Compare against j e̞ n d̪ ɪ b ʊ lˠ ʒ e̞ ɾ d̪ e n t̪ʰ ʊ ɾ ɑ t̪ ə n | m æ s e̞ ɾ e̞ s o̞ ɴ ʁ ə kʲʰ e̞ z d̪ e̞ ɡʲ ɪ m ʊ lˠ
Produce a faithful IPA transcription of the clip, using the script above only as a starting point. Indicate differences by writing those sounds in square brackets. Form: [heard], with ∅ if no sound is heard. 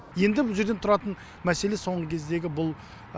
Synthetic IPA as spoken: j e̞ n d̪ ɪ b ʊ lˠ ʒ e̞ ɾ d̪ e n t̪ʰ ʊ ɾ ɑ t̪ ə n | m æ s e̞ [l] e̞ s o̞ ɴ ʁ ə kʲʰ e̞ z d̪ e̞ ɡʲ ɪ [b] ʊ lˠ